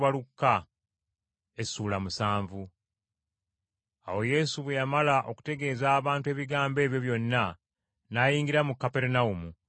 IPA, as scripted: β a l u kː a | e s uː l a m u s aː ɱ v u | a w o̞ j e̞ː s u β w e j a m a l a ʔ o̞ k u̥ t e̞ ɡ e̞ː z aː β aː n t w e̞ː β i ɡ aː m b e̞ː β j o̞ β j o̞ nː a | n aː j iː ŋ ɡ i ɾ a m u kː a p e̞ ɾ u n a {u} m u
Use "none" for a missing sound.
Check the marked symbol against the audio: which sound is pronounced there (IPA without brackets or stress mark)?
u